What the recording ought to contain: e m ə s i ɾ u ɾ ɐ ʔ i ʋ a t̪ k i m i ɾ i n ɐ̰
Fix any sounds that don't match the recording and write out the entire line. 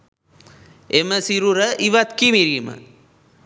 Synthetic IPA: e m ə s i ɾ u ɾ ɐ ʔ i ʋ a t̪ k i m i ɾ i m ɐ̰